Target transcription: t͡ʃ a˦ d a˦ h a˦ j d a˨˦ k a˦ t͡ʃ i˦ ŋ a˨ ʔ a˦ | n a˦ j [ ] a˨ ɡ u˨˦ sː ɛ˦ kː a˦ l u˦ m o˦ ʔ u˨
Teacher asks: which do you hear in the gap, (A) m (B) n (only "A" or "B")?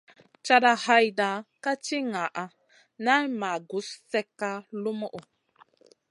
A